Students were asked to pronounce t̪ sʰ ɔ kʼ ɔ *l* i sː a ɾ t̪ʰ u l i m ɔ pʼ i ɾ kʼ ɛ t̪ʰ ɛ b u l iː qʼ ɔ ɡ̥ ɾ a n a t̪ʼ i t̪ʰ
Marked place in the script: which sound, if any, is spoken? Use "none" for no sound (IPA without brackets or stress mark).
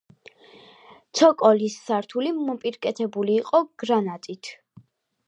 l